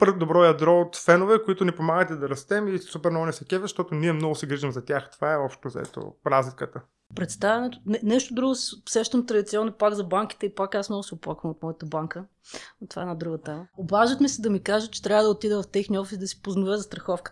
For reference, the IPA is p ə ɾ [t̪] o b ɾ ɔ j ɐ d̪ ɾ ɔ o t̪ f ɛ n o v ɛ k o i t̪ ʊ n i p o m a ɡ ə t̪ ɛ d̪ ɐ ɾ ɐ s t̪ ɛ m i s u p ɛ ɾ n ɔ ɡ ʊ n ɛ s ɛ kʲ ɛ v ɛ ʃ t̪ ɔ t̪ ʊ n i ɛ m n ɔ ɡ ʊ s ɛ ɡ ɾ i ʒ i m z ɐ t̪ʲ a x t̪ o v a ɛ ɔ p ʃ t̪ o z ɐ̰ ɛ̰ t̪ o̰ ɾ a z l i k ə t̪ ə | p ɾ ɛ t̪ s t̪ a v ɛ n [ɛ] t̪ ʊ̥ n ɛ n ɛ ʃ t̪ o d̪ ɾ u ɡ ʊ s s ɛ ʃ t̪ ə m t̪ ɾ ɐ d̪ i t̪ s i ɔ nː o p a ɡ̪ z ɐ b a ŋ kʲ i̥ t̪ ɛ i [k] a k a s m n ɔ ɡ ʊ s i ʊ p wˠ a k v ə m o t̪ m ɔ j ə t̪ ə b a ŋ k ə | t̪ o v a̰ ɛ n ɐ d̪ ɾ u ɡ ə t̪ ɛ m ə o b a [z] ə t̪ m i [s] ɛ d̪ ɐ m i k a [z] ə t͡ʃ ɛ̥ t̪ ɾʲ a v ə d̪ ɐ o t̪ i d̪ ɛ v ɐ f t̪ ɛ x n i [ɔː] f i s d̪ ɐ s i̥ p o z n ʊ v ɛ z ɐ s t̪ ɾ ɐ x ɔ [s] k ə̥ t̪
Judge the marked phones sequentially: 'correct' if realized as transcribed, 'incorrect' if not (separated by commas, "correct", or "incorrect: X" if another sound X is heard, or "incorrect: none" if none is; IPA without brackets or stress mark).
incorrect: d̪, correct, incorrect: p, incorrect: ʒ, correct, incorrect: ʒ, incorrect: ɔ, incorrect: f